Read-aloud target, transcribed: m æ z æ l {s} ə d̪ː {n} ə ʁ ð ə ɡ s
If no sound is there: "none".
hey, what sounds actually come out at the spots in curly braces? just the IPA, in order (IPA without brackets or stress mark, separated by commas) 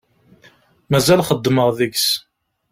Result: χ, m